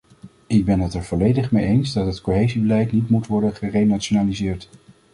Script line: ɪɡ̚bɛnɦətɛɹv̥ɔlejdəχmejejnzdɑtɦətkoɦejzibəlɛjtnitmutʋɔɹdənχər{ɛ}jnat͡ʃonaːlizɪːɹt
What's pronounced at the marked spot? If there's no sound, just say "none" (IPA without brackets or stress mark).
e